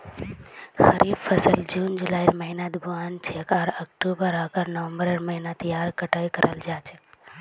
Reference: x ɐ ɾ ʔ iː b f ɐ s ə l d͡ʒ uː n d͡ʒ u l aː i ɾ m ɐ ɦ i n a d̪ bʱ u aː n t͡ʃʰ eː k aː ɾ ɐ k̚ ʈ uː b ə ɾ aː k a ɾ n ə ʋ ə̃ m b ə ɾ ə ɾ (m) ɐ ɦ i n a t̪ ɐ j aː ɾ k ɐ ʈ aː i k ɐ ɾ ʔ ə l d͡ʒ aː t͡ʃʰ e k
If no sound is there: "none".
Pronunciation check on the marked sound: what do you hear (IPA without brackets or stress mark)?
m